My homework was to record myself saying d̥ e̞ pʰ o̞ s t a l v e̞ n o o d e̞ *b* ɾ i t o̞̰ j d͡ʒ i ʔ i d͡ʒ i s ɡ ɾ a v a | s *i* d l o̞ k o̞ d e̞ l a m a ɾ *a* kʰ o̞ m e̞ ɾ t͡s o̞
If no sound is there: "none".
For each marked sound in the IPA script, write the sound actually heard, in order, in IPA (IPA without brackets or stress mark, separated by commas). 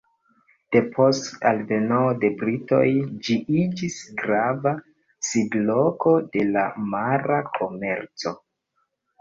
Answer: b, i, a